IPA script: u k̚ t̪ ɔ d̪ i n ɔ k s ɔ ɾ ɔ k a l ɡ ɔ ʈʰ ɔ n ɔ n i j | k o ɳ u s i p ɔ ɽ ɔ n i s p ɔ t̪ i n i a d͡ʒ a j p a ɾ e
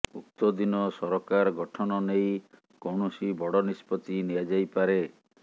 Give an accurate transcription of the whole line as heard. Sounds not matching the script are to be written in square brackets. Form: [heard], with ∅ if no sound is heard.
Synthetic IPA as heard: u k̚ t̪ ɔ d̪ i n ɔ [∅] s ɔ ɾ ɔ k a [ɾ] ɡ ɔ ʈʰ ɔ n ɔ n [e] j | k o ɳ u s i [b] ɔ ɽ ɔ n i s p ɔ t̪ i n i a d͡ʒ a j p a ɾ e

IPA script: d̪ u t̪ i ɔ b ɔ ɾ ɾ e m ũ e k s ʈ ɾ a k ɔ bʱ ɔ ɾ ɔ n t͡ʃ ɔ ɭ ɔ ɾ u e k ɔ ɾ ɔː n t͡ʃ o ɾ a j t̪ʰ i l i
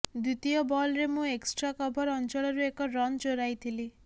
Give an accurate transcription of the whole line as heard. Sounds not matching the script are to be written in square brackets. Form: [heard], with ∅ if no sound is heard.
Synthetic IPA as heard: d̪ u t̪ i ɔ b ɔ [l] ɾ e m ũ e k s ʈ ɾ a k ɔ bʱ ɔ ɾ ɔ n t͡ʃ ɔ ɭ ɔ ɾ u e k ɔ ɾ [ɔ] n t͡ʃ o ɾ a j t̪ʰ i l i

